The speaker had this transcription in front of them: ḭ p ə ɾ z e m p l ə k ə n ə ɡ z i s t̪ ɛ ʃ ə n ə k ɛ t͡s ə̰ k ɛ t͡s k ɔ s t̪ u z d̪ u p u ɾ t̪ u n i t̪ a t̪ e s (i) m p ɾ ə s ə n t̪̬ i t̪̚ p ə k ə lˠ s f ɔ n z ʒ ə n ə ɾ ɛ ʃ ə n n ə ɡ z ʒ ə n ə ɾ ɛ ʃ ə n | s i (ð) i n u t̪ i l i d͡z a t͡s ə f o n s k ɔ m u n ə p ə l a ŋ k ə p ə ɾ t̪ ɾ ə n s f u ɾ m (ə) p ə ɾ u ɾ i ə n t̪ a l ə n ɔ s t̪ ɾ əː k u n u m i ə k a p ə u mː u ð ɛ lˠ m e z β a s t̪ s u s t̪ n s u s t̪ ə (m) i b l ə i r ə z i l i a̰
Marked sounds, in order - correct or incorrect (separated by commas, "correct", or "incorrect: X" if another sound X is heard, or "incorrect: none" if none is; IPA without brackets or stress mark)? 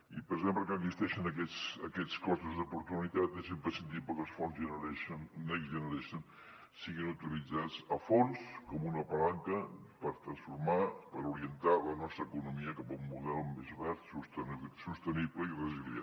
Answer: incorrect: e, incorrect: ɣ, incorrect: a, incorrect: n